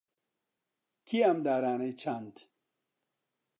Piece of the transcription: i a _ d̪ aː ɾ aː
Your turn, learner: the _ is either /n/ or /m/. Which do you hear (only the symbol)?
m